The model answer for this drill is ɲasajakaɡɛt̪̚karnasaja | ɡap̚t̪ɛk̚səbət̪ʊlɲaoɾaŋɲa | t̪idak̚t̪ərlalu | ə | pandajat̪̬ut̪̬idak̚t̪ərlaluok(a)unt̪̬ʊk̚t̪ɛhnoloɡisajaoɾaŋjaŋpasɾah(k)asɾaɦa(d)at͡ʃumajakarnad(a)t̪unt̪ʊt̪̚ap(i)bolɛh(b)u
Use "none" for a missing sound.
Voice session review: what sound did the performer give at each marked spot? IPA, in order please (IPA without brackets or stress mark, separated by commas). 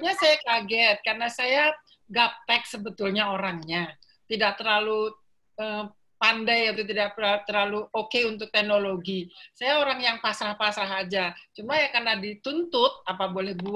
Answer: e, p, d͡ʒ, i, a, b